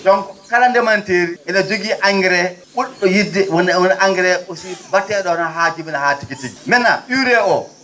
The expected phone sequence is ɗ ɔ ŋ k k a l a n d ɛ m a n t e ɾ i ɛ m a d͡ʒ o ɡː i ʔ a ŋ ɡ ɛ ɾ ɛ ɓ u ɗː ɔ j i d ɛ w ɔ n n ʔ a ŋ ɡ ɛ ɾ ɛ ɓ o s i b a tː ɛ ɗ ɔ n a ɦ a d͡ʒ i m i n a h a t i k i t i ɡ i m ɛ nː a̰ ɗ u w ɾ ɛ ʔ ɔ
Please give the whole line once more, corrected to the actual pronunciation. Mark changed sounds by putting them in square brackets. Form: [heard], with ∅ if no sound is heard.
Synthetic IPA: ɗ ɔ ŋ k k a l a n d ɛ m a n t e ɾ i ɛ [n] a d͡ʒ o [ɡ] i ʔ a ŋ ɡ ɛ ɾ ɛ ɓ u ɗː ɔ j i d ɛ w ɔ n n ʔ a ŋ ɡ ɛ ɾ ɛ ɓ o s i b a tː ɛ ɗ ɔ n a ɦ a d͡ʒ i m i n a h a t i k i t i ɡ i m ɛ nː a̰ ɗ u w ɾ ɛ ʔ ɔ